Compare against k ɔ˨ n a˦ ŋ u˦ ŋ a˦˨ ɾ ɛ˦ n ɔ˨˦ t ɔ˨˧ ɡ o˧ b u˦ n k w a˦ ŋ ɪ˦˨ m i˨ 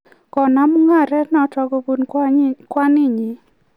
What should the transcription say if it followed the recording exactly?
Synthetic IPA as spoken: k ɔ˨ n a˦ m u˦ ŋ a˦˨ ɾ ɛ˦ n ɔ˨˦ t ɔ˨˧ ɡ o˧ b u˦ n k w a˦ n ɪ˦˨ ɲ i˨